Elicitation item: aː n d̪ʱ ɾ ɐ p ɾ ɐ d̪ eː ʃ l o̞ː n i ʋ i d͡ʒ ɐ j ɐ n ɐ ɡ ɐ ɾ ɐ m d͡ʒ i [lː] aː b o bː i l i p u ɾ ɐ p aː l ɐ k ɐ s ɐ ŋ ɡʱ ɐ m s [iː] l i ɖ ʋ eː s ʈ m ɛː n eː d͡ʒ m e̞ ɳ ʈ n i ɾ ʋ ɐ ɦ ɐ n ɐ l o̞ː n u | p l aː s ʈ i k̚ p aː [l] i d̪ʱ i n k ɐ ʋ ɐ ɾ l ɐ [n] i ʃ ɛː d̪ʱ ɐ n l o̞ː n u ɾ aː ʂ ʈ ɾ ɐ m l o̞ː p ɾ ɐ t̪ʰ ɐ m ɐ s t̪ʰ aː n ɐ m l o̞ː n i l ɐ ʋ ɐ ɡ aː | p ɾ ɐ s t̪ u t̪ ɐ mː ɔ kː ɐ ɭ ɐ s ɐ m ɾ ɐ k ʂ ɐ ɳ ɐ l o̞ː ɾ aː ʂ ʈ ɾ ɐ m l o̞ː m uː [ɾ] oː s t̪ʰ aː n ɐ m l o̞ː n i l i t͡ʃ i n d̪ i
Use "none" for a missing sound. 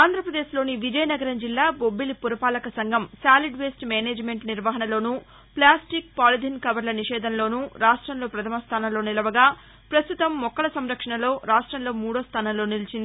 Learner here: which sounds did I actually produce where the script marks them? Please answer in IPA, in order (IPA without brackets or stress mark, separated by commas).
lː, aː, l, n, ɽ